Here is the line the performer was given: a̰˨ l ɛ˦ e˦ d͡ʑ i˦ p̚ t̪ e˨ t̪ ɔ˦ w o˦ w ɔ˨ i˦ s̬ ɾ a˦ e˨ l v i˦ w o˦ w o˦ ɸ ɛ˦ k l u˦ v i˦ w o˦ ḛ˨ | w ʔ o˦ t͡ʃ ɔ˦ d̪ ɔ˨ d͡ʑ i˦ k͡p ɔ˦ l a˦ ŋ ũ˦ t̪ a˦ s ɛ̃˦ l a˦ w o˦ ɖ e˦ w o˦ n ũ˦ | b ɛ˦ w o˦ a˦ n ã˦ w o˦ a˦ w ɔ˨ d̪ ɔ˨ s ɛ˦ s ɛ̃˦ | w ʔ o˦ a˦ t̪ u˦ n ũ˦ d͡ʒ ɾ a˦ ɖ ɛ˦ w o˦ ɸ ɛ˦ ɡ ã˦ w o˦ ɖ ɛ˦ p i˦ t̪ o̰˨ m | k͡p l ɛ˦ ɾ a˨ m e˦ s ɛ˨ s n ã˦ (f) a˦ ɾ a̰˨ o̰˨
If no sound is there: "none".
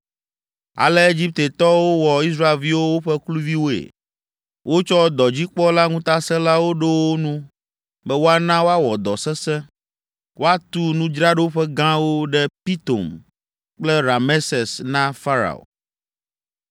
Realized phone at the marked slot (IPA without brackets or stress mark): f